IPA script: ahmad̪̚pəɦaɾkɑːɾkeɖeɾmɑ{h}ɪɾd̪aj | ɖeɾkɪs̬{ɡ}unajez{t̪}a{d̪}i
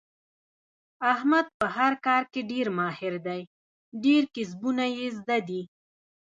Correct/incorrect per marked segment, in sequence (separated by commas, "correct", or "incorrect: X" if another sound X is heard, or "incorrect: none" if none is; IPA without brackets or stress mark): correct, incorrect: b, incorrect: d̪, correct